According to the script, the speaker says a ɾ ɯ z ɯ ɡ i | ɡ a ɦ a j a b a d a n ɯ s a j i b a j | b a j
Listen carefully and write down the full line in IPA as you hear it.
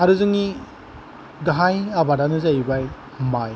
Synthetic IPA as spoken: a ɾ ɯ z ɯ ŋ i | ɡ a ɦ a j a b a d a n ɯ z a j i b a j | m a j